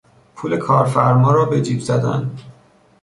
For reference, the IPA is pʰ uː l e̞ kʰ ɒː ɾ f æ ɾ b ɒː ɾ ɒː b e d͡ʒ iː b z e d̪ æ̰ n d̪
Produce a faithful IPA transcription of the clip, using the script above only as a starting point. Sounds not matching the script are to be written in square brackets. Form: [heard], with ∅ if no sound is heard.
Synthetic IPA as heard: pʰ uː l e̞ kʰ ɒː ɾ f æ ɾ [m] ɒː ɾ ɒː b e d͡ʒ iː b z [æ] d̪ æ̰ n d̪